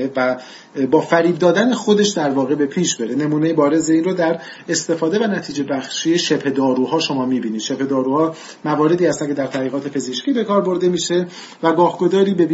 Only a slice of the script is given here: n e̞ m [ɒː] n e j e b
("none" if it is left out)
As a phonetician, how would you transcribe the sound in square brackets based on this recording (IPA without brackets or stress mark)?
uː